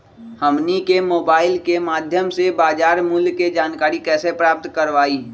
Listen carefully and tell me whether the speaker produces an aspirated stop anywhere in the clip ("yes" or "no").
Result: no